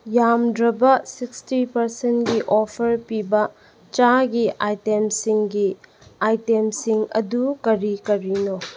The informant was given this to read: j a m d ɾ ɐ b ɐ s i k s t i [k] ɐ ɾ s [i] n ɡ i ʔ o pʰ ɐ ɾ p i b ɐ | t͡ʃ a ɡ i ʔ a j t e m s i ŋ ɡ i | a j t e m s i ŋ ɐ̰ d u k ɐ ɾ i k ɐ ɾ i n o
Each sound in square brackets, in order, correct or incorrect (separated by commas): incorrect, incorrect